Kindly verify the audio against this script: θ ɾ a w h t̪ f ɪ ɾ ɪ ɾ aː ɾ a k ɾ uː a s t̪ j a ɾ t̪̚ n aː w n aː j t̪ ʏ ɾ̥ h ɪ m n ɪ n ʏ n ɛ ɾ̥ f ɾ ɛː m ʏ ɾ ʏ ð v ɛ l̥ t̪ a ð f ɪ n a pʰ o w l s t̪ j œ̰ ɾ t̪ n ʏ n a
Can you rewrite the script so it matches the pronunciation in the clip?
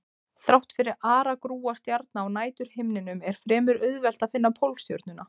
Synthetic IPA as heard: θ ɾ a w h t̪ f ɪ ɾ ɪ ɾ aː ɾ a k ɾ uː a s t̪ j a ɾ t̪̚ n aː w n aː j t̪ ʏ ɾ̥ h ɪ m n ɪ n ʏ m ɛ ɾ̥ f ɾ ɛː m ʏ ɾ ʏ ð v ɛ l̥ t̪ a ð f ɪ nː a pʰ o w l s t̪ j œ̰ ɾ t̪ n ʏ n a

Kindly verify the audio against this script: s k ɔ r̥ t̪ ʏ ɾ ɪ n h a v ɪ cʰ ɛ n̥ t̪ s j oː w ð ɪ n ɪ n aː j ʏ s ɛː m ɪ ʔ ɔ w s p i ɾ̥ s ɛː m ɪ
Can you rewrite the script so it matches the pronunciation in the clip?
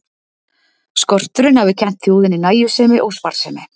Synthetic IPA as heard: s k ɔ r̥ t̪ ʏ ɾ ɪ n h a v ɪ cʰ ɛ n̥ t̪ θ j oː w ð ɪ n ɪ n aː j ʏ s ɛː m ɪ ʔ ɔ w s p a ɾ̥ s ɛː m ɪ

